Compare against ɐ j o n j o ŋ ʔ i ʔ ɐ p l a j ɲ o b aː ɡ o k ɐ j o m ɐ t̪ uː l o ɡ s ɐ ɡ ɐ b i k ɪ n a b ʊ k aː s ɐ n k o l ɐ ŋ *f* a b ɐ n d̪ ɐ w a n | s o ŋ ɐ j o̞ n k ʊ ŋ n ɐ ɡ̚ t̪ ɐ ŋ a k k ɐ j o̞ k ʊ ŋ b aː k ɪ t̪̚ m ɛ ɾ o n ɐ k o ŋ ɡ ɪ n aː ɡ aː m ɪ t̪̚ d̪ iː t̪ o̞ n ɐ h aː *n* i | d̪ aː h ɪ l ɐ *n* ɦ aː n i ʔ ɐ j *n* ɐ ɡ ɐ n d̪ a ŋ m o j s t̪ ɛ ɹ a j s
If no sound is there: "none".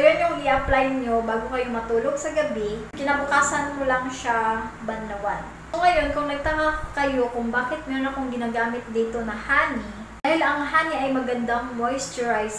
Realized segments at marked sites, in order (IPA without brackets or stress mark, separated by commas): ʃ, n, ŋ, m